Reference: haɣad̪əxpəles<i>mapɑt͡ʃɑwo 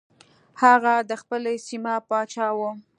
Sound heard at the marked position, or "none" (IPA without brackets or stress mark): i